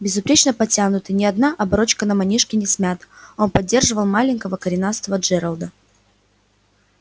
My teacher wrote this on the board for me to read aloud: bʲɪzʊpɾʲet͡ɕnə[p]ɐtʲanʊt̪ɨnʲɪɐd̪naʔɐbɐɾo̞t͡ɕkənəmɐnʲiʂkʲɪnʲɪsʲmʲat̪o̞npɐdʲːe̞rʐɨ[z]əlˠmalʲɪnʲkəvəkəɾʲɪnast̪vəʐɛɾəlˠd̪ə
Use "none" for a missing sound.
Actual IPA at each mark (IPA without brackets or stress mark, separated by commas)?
p, v